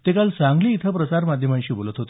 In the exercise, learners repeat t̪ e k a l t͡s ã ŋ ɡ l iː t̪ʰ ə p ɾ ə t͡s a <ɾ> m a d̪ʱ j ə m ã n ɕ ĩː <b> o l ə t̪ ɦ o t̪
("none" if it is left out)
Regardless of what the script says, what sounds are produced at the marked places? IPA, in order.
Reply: ɾ, b

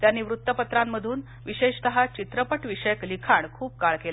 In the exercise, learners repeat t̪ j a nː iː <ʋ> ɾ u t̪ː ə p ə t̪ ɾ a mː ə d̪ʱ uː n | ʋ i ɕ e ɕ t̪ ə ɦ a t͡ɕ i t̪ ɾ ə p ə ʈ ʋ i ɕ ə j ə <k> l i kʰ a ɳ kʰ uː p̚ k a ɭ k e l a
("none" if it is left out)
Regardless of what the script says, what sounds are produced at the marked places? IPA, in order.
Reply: ʋ, k

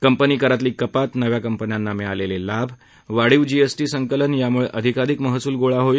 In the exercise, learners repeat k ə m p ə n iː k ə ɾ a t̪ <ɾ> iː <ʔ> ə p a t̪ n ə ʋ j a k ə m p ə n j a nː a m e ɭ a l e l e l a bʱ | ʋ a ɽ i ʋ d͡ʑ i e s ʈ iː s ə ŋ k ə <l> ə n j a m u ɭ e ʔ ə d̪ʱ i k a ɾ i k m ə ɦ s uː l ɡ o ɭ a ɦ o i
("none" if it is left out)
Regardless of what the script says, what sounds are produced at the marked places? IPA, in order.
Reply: l, k, l

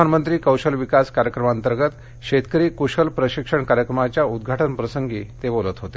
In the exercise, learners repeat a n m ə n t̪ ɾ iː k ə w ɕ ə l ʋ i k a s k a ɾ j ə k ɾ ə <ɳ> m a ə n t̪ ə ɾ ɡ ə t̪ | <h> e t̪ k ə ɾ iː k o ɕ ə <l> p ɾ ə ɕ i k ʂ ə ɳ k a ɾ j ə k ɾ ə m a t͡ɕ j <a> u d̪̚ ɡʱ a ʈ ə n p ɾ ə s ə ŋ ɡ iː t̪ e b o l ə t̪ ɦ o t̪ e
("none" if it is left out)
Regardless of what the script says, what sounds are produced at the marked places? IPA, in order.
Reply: none, ɕ, l, a

